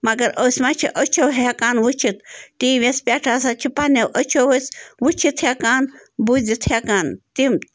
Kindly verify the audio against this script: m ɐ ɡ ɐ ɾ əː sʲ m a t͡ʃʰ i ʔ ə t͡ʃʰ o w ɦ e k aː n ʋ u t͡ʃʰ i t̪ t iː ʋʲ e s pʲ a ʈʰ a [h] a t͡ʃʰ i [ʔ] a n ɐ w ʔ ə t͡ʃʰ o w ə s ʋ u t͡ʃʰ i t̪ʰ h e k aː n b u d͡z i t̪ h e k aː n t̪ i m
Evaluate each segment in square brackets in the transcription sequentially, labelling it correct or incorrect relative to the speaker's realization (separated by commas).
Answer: incorrect, incorrect